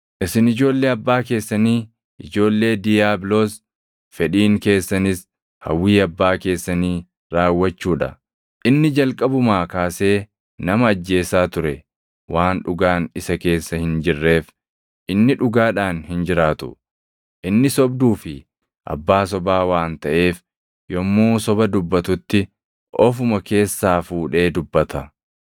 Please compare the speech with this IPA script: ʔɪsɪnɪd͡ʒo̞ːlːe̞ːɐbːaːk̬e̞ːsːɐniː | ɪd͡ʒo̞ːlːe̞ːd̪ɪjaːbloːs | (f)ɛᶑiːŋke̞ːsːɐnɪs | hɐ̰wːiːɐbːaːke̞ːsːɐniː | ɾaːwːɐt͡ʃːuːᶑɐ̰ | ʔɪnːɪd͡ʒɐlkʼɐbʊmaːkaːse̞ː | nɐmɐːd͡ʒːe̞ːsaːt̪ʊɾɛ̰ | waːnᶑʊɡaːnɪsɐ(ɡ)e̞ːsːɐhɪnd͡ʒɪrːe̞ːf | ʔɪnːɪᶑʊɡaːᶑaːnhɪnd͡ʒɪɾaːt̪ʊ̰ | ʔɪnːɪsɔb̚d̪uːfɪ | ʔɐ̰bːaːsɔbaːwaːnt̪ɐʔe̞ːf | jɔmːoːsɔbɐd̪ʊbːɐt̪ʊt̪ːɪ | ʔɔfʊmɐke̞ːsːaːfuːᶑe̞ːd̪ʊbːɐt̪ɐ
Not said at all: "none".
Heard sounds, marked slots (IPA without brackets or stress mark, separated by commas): f, k